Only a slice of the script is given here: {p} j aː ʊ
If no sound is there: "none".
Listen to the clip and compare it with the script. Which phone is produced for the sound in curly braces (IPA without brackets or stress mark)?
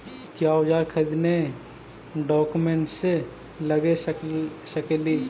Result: k